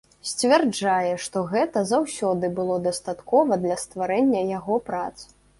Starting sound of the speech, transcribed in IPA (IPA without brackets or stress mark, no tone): sʲ